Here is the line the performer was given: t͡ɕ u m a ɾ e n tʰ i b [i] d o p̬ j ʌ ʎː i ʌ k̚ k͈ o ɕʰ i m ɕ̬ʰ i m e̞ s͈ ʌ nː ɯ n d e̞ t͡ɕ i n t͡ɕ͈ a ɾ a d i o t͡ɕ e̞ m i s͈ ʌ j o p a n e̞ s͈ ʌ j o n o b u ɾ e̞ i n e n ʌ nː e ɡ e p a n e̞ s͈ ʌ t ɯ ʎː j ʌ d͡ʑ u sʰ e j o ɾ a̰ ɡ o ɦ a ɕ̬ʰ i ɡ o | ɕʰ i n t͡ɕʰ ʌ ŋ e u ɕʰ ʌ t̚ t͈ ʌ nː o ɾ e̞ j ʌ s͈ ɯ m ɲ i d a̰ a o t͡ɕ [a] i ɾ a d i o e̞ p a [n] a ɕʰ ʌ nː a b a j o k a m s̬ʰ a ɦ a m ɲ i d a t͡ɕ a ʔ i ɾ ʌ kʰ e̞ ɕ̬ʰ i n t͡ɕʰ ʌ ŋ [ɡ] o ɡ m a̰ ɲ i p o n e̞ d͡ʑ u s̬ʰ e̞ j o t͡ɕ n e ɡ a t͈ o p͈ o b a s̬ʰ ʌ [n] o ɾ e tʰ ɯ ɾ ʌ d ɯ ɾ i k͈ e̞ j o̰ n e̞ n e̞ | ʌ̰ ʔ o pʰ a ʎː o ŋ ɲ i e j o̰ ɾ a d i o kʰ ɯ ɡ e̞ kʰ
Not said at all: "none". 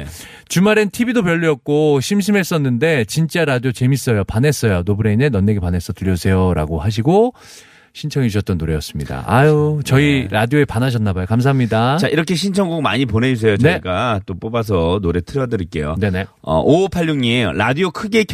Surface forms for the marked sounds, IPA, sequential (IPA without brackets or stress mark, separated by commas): i, ʌ, n, ɡ, n